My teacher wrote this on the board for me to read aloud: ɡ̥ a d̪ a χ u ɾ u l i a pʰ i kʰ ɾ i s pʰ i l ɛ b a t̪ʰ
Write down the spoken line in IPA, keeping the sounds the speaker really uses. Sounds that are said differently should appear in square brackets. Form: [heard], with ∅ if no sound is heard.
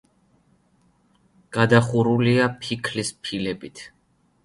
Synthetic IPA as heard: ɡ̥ a d̪ a χ u ɾ u l i a pʰ i kʰ [l] i s pʰ i l ɛ b [i] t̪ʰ